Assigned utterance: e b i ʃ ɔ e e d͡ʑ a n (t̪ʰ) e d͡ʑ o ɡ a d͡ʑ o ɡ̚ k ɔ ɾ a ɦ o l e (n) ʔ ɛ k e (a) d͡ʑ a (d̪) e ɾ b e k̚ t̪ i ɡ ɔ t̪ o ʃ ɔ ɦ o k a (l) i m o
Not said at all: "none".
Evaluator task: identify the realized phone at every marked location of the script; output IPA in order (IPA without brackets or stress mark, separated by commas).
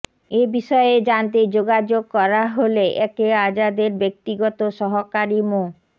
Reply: t̪, none, a, d̪, ɾ